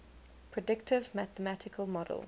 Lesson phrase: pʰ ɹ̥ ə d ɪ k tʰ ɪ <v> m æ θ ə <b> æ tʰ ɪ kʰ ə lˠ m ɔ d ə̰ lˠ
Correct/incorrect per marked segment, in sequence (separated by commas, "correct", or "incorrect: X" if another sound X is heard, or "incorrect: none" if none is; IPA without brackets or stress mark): correct, incorrect: m